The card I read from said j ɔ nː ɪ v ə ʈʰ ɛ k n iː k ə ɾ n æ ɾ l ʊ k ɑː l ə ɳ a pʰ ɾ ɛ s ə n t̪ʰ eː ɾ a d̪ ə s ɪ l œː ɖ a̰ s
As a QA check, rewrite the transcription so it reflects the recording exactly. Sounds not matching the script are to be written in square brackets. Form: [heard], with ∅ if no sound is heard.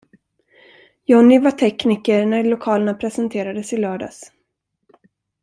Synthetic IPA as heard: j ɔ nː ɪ v [a] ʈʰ ɛ k n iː k ə ɾ n æ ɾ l ʊ [kʰ] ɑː l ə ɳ a pʰ ɾ ɛ s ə n t̪ʰ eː ɾ a d̪ ə s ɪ l œː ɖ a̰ s